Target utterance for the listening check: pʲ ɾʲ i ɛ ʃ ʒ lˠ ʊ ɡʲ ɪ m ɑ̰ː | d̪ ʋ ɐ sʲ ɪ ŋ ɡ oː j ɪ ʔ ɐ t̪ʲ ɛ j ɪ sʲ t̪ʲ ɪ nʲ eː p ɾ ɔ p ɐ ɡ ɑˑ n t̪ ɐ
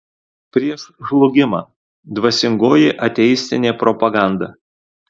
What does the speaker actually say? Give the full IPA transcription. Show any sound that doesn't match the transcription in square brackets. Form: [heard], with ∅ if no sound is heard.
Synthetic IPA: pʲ ɾʲ i ɛ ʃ ʒ lˠ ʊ ɡʲ ɪ m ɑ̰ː | d̪ ʋ ɐ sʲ ɪ ŋ ɡ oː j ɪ ʔ ɐ t̪ʲ ɛ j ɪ sʲ t̪ʲ ɪ nʲ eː p ɾ ɔ p ɐ ɡ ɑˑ n [d̪] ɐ